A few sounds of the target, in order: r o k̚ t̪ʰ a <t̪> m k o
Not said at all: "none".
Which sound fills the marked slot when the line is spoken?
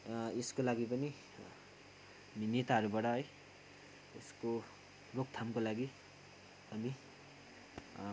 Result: none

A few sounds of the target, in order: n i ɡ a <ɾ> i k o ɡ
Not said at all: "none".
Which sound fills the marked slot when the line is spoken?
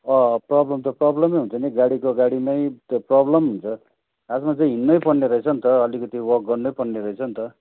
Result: ɽ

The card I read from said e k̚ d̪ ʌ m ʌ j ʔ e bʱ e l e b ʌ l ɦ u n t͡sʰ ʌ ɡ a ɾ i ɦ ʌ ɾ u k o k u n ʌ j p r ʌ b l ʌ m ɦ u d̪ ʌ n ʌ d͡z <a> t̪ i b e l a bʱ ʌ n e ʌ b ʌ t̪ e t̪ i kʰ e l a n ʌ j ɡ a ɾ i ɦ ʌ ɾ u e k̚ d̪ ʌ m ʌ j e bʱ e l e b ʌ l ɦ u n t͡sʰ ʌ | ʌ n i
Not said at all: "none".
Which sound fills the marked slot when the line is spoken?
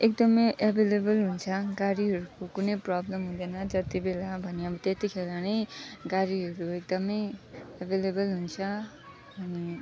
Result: ʌ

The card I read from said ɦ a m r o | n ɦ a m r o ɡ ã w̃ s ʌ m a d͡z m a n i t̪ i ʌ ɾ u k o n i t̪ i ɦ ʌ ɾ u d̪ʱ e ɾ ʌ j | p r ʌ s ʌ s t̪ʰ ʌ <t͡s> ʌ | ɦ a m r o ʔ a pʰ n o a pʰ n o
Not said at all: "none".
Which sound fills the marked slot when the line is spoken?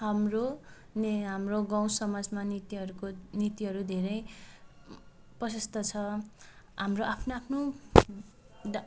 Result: t͡sʰ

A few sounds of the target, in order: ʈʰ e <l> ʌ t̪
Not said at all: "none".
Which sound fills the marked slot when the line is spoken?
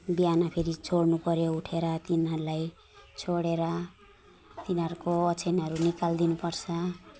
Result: ɾ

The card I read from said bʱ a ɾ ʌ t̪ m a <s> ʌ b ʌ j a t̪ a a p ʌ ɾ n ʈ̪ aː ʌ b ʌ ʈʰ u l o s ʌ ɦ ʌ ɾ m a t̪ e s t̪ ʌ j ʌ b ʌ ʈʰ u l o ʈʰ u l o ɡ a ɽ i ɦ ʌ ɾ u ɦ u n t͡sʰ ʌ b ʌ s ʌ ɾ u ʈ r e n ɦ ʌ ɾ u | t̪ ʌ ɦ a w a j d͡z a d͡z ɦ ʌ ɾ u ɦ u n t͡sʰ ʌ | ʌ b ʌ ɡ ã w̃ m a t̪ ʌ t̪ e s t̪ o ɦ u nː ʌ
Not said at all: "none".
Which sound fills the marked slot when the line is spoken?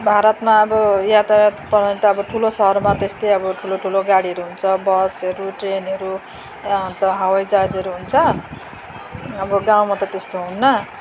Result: none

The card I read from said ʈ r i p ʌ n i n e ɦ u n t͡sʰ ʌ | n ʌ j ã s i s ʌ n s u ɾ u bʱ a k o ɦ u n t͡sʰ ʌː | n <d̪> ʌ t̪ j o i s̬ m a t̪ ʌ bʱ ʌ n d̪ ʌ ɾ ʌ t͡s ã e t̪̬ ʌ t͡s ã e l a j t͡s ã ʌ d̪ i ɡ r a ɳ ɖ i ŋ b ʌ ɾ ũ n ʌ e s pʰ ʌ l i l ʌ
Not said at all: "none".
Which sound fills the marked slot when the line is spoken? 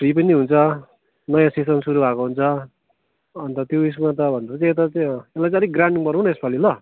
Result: t̪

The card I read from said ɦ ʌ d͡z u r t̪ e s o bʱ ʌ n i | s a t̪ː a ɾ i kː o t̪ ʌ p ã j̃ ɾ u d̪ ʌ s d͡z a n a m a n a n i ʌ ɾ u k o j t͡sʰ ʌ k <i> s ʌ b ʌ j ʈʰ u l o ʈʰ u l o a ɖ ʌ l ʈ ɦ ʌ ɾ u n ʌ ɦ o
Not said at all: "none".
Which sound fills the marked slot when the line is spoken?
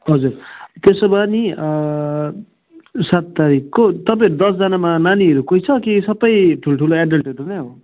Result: i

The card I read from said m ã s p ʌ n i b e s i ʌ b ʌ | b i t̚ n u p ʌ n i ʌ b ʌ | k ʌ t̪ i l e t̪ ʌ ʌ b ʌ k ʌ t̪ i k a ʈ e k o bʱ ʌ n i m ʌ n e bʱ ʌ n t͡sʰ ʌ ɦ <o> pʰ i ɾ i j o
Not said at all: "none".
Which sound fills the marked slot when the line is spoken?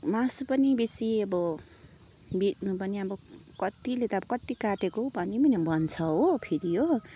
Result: o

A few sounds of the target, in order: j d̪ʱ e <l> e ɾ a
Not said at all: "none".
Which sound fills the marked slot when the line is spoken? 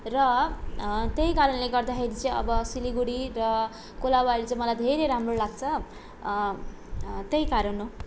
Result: ɾ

